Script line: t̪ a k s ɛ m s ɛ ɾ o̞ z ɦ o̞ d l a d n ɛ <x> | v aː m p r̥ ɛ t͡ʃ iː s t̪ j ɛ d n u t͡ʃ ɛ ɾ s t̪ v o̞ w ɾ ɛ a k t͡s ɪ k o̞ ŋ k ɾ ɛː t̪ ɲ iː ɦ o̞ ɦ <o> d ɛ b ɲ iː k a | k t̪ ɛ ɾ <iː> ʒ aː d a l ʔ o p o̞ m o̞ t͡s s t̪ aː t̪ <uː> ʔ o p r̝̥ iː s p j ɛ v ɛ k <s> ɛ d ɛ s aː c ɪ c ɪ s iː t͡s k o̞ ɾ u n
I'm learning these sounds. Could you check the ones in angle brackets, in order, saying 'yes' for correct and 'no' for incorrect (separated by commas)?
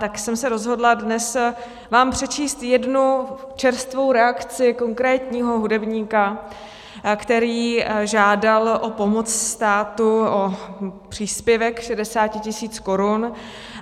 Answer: no, no, yes, no, no